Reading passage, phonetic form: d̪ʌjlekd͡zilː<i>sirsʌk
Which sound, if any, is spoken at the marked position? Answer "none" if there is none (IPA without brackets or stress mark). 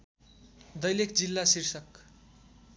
a